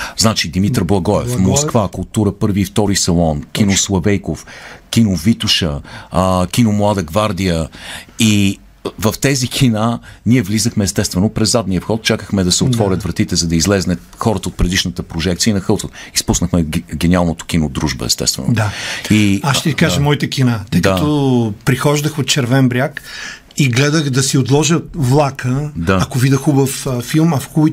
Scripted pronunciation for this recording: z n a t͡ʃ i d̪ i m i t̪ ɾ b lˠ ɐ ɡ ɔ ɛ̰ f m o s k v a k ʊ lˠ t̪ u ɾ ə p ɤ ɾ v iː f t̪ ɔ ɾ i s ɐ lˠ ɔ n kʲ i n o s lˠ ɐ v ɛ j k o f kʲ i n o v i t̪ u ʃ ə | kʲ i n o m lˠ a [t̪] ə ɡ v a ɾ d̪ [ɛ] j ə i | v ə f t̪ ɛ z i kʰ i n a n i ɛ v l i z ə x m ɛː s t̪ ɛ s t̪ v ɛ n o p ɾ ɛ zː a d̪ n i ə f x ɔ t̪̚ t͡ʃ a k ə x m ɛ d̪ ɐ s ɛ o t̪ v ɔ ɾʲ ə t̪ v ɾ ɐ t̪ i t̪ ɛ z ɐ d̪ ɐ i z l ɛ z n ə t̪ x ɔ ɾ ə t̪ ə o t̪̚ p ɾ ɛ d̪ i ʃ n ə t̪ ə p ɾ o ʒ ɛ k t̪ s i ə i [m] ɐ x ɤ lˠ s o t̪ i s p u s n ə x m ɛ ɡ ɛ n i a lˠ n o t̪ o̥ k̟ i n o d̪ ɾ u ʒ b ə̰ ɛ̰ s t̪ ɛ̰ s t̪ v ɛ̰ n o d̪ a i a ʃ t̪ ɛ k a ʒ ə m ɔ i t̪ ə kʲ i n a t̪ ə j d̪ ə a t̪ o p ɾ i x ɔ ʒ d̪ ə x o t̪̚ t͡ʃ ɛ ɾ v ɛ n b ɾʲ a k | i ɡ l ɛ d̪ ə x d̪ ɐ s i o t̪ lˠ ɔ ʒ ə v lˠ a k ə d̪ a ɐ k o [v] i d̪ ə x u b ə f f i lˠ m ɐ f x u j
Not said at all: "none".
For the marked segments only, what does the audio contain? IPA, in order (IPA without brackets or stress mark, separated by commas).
d̪, i, n, v